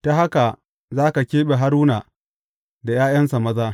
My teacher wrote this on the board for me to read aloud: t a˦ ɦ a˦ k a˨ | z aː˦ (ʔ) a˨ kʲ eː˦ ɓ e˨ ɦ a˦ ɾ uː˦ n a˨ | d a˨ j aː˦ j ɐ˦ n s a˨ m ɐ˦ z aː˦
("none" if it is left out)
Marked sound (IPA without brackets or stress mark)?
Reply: k